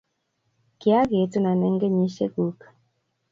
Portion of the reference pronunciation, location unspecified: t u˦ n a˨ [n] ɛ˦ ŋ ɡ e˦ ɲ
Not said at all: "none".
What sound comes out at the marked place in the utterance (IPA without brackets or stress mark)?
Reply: n